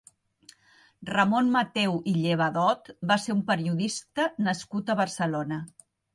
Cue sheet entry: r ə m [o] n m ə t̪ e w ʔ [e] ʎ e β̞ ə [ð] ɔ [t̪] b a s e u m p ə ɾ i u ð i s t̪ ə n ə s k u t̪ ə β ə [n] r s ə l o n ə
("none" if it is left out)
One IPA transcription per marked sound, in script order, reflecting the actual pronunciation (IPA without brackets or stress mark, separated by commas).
o, i, ð, t̪, none